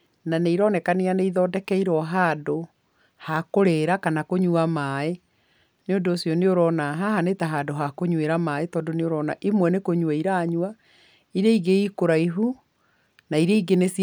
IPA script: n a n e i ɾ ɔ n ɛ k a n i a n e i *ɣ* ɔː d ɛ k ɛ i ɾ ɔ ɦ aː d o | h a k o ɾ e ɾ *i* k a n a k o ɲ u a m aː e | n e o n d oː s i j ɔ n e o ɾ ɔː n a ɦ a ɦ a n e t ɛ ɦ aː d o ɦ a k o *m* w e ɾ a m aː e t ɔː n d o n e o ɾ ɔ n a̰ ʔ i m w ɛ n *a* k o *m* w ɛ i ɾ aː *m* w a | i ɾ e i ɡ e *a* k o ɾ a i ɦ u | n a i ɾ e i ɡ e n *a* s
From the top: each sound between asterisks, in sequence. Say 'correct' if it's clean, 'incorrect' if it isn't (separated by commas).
incorrect, incorrect, incorrect, incorrect, incorrect, incorrect, incorrect, incorrect